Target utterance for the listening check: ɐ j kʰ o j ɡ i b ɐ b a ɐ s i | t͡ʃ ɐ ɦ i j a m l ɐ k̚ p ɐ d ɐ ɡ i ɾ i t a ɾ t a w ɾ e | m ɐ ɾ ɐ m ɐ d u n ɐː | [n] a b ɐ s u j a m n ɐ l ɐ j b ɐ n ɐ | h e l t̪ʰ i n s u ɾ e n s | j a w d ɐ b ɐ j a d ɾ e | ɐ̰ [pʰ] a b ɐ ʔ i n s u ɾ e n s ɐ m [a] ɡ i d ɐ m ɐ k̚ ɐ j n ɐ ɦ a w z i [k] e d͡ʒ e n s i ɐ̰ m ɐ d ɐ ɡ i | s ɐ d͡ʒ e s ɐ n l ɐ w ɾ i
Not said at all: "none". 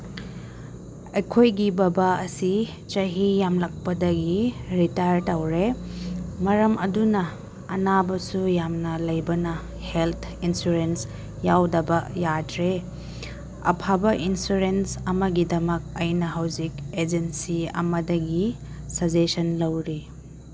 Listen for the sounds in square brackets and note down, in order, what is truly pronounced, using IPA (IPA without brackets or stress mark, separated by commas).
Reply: n, pʰ, ɐ, k